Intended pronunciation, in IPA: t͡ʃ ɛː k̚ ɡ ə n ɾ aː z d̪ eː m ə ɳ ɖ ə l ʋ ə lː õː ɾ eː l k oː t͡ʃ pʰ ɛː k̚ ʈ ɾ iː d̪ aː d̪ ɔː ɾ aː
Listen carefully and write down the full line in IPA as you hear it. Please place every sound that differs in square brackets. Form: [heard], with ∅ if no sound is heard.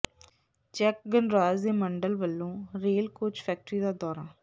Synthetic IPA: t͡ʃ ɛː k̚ ɡ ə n ɾ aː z d̪ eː m ə ɳ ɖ ə l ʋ ə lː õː ɾ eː l k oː t͡ʃ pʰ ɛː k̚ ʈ ɾ iː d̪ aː d̪ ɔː ɾ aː